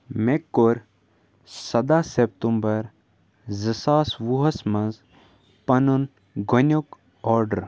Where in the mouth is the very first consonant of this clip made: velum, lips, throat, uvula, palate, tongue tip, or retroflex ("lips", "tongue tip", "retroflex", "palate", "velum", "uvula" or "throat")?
lips